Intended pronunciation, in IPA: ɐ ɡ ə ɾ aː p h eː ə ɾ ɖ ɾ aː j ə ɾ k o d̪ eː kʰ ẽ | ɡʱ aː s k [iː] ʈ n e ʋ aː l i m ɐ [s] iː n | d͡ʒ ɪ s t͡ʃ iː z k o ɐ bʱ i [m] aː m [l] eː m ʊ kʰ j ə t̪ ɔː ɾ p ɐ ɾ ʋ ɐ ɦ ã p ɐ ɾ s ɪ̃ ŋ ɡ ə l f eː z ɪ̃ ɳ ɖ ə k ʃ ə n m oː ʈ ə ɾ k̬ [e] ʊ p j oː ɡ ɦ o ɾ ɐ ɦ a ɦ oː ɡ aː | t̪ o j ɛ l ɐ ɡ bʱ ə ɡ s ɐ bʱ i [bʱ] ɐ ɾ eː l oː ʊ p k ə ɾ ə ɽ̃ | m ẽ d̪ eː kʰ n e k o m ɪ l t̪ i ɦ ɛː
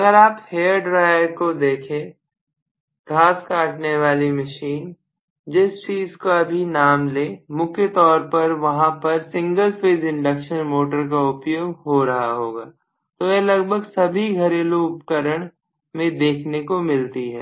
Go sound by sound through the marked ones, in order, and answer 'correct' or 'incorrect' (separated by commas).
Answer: incorrect, incorrect, incorrect, correct, incorrect, incorrect